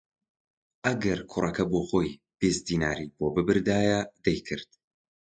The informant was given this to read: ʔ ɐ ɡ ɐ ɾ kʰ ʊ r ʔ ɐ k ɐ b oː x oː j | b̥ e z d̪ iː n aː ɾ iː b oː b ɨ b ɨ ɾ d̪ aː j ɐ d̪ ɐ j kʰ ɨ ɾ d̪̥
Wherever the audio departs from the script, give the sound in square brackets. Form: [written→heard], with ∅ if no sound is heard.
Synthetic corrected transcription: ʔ ɐ ɡ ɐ ɾ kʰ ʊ r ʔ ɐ k ɐ b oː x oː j | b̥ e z d̪ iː n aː ɾ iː b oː b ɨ b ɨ ɾ d̪ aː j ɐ d̪ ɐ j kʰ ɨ ɾ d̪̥